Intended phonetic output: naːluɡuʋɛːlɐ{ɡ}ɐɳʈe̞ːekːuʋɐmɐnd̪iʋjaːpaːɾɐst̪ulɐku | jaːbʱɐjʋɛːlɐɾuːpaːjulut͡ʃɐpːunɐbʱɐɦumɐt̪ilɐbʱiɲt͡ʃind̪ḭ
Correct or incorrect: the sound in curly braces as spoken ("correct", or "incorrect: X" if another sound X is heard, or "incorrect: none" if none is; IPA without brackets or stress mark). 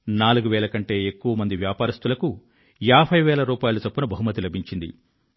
incorrect: k